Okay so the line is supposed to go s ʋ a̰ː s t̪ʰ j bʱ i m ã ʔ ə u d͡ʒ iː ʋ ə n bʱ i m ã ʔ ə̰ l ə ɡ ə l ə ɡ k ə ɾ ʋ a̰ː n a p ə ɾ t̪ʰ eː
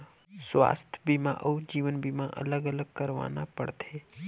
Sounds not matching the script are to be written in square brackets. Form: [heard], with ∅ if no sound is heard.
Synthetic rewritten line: s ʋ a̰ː s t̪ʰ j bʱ i m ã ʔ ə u d͡ʒ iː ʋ ə n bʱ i m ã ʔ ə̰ l ə ɡ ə l ə ɡ k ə ɾ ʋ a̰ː n a p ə [ɽ] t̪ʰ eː